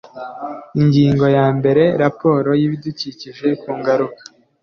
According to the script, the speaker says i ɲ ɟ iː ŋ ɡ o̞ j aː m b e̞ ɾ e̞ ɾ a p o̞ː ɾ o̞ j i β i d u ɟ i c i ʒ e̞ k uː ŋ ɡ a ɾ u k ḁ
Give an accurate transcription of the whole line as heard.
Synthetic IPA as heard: i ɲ ɟ iː ŋ ɡ o̞ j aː m b e̞ ɾ e̞ ɾ a p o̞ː ɾ o̞ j i β i d u c i c i ʒ e̞ k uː ŋ ɡ a ɾ u k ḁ